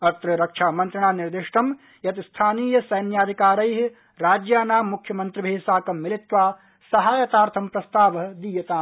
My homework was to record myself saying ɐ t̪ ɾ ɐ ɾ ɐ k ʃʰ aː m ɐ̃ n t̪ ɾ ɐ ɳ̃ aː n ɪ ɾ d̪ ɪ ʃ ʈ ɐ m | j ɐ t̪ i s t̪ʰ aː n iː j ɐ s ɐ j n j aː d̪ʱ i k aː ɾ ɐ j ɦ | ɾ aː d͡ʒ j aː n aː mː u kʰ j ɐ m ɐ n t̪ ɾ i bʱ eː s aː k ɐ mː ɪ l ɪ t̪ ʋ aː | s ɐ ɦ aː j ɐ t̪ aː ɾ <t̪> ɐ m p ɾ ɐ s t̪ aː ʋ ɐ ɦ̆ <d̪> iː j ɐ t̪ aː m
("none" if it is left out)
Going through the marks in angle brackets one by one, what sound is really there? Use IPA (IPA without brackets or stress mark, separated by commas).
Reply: t̪ʰ, d̪